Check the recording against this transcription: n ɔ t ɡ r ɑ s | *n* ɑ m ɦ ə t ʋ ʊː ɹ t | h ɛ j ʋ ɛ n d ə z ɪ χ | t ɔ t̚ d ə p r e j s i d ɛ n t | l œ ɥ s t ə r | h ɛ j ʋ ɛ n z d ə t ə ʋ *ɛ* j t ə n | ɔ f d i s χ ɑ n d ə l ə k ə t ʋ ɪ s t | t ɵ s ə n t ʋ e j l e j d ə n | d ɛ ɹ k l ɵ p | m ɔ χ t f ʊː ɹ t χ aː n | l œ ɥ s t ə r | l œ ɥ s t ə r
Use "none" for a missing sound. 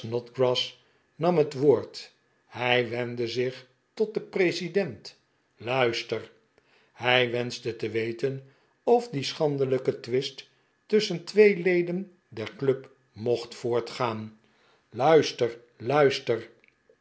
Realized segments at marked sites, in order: n, e

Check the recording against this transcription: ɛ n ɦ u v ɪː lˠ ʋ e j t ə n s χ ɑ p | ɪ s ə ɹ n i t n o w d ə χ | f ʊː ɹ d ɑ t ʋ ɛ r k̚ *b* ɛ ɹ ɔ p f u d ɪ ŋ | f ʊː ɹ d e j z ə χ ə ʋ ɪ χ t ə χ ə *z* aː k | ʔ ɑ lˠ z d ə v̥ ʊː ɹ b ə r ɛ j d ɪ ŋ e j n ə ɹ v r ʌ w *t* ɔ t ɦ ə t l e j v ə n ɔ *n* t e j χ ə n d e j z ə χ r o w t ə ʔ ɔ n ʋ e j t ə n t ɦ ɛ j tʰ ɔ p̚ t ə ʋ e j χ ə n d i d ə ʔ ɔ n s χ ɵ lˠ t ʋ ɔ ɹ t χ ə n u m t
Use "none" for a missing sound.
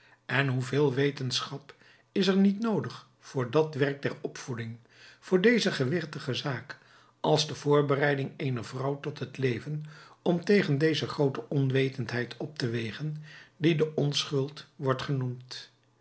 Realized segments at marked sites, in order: d, z, t, m

